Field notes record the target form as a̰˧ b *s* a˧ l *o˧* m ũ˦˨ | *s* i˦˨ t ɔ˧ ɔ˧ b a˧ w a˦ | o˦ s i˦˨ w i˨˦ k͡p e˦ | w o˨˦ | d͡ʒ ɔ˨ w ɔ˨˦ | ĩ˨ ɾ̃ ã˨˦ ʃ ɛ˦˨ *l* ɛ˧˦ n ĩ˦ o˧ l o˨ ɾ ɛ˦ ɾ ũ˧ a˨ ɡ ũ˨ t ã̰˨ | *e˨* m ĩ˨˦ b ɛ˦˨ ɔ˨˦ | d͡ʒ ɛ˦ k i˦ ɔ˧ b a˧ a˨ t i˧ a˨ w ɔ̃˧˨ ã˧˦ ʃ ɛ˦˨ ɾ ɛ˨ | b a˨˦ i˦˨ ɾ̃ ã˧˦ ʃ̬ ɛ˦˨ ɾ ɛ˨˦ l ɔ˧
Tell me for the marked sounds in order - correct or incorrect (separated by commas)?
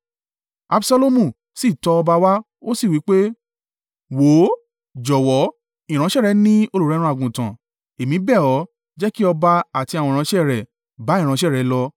correct, correct, correct, incorrect, correct